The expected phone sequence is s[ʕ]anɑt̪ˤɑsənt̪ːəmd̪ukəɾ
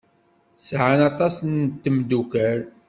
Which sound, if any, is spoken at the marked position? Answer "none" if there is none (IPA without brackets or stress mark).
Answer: ʕ